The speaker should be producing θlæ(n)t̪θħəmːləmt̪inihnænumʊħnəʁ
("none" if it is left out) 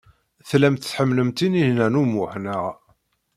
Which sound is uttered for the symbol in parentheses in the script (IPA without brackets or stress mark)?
m